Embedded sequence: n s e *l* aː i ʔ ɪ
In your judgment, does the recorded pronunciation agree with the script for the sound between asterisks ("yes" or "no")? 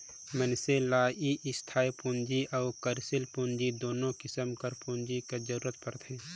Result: yes